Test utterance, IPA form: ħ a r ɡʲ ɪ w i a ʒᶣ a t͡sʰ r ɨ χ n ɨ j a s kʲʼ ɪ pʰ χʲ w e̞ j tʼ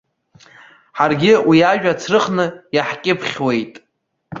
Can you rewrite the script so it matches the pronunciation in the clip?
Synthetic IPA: ħ a r ɡʲ ɪ w i a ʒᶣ a t͡sʰ r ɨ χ n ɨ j a ħ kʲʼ ɪ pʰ χʲ w e̞ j tʼ